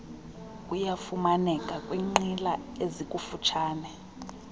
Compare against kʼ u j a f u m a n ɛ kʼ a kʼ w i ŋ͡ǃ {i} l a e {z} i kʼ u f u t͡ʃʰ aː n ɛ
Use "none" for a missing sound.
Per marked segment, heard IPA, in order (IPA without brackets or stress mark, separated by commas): i, z